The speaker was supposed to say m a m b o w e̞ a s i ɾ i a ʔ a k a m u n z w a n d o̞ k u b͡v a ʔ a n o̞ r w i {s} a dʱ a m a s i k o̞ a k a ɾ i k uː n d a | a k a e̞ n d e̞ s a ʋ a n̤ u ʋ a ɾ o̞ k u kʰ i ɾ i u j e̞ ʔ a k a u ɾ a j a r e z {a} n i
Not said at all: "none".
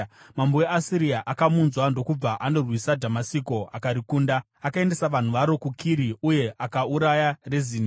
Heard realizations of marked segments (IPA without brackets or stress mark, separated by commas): s, i